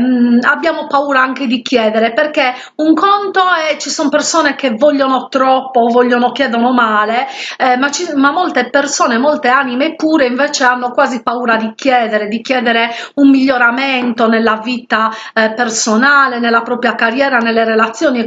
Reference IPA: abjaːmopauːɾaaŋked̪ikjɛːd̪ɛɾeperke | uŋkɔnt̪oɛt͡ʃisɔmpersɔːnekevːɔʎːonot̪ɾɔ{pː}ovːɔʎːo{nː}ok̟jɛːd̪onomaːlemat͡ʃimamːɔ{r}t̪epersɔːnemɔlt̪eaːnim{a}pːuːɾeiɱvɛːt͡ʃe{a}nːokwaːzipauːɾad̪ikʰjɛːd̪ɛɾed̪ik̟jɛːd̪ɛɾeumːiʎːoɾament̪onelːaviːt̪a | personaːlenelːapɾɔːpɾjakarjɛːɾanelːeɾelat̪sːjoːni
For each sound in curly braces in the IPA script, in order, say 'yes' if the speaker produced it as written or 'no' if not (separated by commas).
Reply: yes, no, no, no, yes